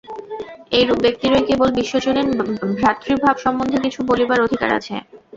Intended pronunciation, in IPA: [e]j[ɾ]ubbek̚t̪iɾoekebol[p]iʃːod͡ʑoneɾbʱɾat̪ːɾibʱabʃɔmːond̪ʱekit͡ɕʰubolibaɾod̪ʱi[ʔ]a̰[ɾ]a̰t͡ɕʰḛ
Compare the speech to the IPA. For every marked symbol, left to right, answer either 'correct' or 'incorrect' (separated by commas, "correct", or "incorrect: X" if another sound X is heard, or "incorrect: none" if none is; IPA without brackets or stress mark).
correct, correct, incorrect: b, incorrect: k, correct